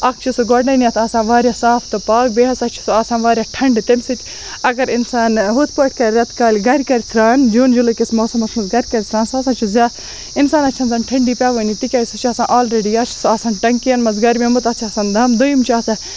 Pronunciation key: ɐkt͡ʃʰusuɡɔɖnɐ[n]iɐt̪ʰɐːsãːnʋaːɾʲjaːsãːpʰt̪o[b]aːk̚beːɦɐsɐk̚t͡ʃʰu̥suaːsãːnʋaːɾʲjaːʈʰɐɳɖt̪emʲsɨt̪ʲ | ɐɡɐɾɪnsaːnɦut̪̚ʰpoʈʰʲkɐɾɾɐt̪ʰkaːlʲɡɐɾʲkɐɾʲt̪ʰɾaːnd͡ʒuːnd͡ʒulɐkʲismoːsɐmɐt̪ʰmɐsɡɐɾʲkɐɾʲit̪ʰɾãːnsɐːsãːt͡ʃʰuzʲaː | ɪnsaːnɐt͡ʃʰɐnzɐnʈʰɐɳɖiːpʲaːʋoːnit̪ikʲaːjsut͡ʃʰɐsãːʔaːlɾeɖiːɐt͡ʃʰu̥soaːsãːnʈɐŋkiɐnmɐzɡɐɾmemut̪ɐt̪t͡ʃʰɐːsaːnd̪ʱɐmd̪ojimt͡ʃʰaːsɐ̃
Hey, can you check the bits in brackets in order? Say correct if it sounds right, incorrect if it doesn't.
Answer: correct, incorrect: p

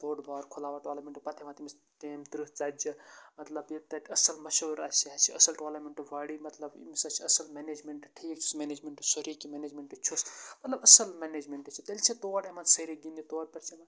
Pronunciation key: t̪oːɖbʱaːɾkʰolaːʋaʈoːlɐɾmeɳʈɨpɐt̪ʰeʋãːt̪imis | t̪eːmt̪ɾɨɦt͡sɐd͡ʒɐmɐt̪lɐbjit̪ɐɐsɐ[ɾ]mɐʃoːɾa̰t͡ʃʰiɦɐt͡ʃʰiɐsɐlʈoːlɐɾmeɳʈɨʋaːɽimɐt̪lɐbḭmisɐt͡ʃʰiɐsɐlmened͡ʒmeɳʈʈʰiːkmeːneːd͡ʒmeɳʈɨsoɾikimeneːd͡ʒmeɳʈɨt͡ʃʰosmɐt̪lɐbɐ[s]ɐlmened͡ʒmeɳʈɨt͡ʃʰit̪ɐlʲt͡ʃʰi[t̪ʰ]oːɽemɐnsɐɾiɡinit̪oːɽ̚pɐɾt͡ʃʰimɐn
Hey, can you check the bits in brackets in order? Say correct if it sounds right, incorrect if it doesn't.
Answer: incorrect: l, correct, incorrect: t̪

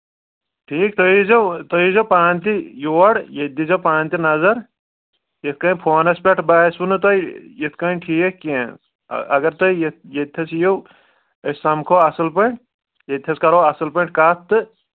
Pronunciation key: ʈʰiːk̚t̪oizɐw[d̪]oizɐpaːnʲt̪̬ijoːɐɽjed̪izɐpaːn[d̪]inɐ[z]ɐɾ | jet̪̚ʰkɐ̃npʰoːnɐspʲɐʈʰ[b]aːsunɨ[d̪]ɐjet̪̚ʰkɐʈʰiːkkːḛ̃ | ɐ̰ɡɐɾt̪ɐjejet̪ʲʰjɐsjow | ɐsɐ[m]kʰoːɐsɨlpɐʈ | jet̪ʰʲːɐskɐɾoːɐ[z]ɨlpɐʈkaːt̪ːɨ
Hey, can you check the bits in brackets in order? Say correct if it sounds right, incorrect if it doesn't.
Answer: incorrect: t̪, incorrect: t̪, correct, correct, incorrect: t̪, correct, incorrect: s

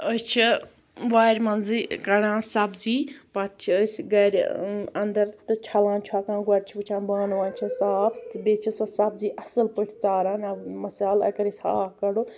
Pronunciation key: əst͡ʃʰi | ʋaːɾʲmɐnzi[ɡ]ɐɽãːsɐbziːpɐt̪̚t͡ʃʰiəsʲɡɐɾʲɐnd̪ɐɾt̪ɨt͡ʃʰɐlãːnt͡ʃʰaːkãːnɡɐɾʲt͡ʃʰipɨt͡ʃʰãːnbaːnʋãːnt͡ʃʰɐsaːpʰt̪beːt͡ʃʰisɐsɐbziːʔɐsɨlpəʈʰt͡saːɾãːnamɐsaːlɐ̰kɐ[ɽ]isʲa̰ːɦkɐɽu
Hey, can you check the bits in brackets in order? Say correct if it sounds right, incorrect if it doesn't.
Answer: incorrect: k, incorrect: ɾ

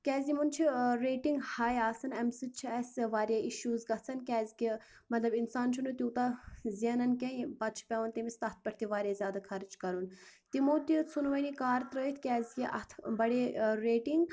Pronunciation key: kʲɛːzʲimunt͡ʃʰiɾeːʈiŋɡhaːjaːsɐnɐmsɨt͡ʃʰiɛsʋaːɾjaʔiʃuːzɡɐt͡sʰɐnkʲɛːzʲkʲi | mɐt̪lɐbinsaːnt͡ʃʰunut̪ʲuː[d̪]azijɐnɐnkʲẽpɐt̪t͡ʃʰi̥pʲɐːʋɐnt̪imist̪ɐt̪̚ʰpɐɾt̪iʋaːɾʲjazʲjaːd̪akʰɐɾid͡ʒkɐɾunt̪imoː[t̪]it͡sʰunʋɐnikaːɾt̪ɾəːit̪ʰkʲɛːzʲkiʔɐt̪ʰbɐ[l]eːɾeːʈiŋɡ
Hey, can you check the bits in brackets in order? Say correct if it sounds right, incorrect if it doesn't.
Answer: incorrect: t̪, correct, incorrect: ɽ

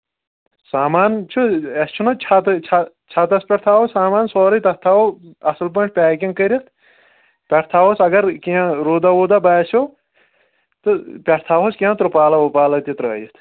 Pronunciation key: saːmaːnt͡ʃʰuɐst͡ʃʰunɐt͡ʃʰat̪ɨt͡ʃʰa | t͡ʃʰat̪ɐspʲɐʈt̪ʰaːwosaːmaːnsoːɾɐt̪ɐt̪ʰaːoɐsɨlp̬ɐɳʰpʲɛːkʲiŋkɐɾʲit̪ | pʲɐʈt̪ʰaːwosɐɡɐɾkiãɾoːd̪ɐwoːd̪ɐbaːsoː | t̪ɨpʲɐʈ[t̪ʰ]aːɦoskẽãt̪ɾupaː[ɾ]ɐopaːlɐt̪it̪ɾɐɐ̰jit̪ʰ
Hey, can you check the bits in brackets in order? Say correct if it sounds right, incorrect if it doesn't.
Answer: correct, incorrect: l

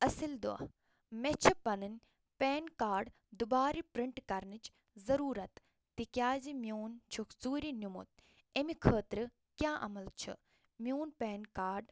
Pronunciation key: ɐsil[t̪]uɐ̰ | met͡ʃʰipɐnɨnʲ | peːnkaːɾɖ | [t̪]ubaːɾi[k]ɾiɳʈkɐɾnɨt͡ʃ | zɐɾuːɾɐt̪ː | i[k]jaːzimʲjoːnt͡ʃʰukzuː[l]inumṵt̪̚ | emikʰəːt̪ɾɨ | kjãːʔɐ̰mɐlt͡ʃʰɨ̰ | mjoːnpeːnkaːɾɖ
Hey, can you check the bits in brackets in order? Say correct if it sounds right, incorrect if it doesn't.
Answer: incorrect: d̪, incorrect: d̪, incorrect: p, correct, incorrect: ɾ

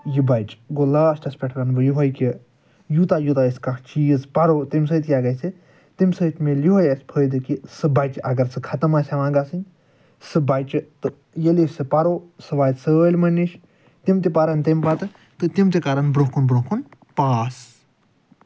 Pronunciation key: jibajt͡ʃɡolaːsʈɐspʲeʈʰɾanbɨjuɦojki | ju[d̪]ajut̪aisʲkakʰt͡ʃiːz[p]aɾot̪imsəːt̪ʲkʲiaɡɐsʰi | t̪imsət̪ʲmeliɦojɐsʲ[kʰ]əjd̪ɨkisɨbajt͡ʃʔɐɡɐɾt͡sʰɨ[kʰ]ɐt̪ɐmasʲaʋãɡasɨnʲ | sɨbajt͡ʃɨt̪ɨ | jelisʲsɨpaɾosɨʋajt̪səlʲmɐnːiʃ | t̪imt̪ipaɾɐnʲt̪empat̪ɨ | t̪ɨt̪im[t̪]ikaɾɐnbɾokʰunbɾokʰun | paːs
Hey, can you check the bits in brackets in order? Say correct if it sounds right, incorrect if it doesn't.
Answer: incorrect: t̪, correct, incorrect: pʰ, correct, correct

